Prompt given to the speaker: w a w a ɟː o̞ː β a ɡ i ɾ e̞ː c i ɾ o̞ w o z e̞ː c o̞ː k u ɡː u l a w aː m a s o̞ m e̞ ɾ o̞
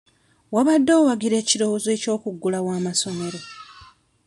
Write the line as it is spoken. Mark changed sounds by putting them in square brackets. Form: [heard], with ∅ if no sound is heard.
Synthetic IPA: w a [β] a [dː] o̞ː [w] a ɡ i ɾ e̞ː c i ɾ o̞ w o z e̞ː c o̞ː k u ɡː u l a w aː m a s o̞ m e̞ ɾ o̞